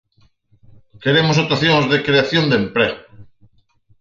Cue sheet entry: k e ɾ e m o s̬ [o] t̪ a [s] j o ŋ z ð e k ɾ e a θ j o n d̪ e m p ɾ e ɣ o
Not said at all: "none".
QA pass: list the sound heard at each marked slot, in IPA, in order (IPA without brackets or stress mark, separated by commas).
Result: o, θ